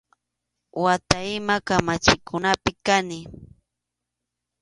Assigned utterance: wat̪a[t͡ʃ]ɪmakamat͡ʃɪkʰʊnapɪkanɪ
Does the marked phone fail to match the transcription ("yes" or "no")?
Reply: yes